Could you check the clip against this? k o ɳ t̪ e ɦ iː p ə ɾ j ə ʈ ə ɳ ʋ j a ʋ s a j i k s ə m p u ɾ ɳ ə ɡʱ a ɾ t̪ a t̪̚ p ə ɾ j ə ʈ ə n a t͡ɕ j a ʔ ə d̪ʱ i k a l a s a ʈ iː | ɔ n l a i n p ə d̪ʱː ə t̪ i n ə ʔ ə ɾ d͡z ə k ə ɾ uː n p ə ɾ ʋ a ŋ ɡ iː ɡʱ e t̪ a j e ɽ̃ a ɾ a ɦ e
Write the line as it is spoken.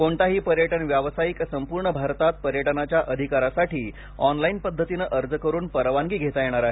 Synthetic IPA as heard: k o ɳ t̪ a ɦ iː p ə ɾ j ə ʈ ə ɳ ʋ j a ʋ s a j i k s ə m p u ɾ ɳ ə bʱ a ɾ t̪ a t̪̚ p ə ɾ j ə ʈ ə n a t͡ɕ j a ʔ ə d̪ʱ i k a ɾ a s a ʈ iː | ɔ n l a i n p ə d̪ʱː ə t̪ i n ə ʔ ə ɾ d͡z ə k ə ɾ uː n p ə ɾ ʋ a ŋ ɡ iː ɡʱ e t̪ a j e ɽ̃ a ɾ a ɦ e